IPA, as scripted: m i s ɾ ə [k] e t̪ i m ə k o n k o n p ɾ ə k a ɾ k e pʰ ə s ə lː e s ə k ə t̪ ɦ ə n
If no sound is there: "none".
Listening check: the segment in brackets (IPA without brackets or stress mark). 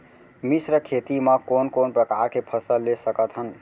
kʰ